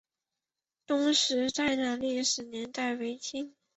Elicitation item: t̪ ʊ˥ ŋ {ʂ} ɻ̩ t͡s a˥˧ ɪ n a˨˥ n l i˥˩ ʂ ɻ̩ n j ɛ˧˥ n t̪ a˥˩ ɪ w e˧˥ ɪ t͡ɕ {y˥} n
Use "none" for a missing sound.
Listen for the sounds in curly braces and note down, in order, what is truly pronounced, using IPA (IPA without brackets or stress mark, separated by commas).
ʂ, i˥